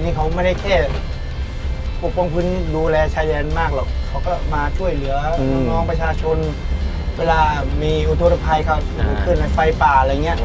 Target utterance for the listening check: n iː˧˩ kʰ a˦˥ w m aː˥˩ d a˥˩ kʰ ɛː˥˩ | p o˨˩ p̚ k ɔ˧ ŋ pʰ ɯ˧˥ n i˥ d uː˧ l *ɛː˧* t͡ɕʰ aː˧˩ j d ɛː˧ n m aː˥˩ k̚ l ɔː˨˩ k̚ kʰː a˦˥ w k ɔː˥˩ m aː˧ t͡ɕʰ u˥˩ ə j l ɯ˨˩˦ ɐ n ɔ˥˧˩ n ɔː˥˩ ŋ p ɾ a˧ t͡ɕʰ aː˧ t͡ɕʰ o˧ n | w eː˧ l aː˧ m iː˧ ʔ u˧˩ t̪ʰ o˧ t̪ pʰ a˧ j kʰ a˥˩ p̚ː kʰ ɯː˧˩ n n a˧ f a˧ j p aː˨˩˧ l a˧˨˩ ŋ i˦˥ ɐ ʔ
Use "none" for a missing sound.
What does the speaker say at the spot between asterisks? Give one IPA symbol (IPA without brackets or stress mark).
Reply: ɛː˧